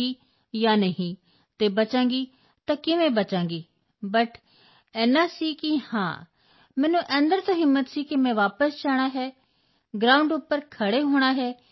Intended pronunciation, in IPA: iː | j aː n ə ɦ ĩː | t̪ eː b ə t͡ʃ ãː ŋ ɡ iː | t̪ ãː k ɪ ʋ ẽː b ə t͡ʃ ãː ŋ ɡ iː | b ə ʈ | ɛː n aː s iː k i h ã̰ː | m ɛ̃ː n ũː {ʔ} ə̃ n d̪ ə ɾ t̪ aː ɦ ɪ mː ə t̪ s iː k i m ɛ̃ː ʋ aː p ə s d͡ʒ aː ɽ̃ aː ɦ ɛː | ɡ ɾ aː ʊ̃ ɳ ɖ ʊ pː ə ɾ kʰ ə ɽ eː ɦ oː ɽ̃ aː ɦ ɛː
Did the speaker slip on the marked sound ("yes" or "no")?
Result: no